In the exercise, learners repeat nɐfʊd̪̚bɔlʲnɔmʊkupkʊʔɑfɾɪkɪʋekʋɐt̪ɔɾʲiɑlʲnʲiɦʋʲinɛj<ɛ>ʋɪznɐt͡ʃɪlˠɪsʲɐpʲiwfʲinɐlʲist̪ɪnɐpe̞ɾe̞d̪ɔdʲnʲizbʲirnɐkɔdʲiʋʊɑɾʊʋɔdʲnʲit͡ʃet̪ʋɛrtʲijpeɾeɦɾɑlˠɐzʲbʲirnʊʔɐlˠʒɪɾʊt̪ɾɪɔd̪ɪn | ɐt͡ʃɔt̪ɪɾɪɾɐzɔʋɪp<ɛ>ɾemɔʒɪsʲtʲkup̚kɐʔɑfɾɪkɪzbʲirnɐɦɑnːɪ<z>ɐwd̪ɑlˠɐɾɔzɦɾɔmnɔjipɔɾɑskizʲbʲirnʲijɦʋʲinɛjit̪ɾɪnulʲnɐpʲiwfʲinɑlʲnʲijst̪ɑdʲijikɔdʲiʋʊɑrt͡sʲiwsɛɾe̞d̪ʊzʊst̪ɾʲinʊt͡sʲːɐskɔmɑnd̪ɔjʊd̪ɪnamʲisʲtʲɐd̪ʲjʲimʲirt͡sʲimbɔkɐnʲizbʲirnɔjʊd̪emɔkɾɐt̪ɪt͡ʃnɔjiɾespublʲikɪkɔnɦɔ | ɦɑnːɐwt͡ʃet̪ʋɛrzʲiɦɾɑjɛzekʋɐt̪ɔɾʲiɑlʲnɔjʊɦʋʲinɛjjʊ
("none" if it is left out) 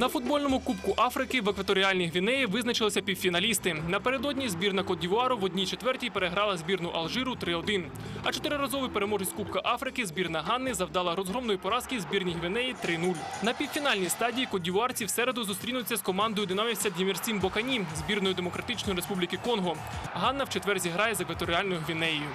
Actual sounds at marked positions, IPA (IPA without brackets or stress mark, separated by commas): i, e, z